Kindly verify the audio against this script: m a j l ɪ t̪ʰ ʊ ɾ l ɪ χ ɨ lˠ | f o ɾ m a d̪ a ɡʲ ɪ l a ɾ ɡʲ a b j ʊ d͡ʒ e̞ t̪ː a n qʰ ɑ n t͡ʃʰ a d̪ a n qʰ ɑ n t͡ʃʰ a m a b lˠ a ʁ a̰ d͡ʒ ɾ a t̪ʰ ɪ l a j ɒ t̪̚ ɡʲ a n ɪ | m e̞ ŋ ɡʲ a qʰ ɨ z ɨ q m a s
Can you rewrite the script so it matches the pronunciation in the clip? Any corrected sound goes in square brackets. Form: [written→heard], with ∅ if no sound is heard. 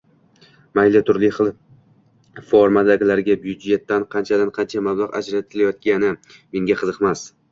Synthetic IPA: m a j l ɪ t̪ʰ ʊ ɾ l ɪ χ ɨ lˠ | f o ɾ m a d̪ a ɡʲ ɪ l a ɾ ɡʲ a b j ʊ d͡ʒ e̞ t̪ː a n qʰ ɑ n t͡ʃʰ a d̪ a n qʰ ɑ n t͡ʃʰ a m a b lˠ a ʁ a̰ d͡ʒ ɾ a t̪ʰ ɪ l a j ɒ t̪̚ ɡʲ a n ɪ | m e̞ ŋ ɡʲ a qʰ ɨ z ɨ q m a s